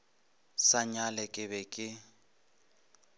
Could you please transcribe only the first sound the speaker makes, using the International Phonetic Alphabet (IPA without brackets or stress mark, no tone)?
s